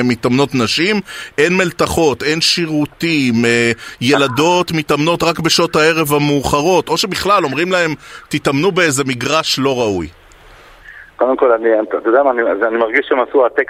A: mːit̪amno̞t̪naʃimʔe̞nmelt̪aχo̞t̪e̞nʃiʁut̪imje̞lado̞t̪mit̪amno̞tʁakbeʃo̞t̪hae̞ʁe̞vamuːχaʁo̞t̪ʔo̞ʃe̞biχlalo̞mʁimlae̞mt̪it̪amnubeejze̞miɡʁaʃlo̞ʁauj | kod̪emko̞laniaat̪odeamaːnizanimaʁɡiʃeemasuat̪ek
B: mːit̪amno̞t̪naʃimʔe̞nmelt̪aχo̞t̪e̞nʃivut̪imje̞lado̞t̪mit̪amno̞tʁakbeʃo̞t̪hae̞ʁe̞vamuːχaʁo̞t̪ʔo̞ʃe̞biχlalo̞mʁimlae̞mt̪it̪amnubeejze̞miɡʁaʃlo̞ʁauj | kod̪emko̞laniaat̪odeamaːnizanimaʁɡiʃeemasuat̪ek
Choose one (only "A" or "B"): A